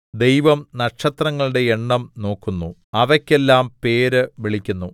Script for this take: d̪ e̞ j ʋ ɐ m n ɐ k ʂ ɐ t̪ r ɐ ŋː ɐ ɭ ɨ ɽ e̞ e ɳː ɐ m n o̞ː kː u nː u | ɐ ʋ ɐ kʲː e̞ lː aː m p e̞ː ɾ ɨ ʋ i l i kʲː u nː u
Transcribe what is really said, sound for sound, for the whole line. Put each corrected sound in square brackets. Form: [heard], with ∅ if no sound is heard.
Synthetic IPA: d̪ e̞ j ʋ ɐ m n ɐ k ʂ ɐ t̪ r ɐ ŋː ɐ ɭ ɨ ɽ e̞ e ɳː ɐ m n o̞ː kː u nː u | ɐ ʋ ɐ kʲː e̞ lː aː m p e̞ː ɾ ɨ ʋ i [ɭ] i kʲː u nː u